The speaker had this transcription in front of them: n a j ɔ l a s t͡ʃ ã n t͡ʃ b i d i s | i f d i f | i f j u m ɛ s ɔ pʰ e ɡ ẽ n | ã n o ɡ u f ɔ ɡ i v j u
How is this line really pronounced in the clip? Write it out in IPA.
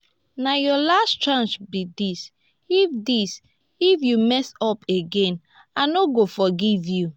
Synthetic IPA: n a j ɔ l a s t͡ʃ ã n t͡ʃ b i d i s | i f d i s | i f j u m ɛ s ɔ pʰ e ɡ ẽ n | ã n o ɡ o f ɔ ɡ i v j u